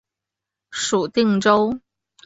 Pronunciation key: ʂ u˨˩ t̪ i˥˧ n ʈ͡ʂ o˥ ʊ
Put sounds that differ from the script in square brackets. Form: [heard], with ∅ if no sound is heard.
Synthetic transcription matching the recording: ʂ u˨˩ t̪ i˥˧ [ŋ] ʈ͡ʂ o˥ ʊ